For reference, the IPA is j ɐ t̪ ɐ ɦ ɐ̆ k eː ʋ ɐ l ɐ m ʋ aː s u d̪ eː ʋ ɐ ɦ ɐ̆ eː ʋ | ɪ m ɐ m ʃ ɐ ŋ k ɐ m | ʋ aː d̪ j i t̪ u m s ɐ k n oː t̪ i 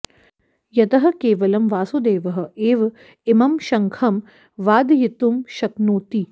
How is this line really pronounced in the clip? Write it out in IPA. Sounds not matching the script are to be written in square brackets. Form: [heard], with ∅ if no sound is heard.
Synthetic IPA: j ɐ t̪ ɐ ɦ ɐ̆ k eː ʋ ɐ l ɐ m ʋ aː s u d̪ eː ʋ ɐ ɦ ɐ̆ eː ʋ | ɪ m ɐ m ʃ ɐ ŋ [kʰ] ɐ m | ʋ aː d̪ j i t̪ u m [ʃ] ɐ k n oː t̪ i